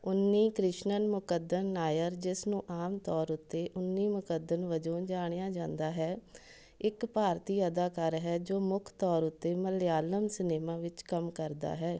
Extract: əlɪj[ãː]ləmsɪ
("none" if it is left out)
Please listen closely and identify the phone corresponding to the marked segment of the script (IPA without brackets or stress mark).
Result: aː